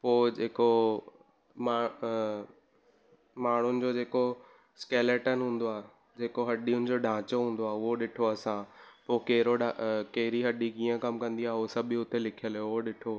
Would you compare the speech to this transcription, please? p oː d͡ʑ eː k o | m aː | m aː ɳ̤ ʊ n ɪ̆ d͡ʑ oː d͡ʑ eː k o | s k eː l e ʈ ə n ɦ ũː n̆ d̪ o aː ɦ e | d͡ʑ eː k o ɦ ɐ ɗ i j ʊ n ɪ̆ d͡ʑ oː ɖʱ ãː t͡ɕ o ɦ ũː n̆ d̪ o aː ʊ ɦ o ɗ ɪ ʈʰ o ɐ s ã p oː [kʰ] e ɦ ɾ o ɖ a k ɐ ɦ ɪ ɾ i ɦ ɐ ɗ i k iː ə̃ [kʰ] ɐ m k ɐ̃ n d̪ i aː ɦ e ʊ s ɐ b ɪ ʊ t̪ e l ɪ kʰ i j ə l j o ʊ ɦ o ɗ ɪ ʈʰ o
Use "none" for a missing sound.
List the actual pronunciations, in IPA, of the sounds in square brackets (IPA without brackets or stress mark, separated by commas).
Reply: k, k